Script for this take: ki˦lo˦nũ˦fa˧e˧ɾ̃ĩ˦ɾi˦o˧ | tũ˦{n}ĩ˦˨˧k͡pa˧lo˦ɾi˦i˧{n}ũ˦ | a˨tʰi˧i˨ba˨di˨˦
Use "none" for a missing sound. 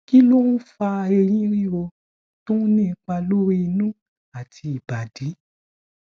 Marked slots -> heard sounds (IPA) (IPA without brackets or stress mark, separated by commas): n, n